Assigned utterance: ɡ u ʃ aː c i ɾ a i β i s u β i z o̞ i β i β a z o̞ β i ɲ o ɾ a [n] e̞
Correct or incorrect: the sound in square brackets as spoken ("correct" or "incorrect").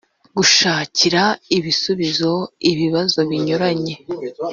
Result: incorrect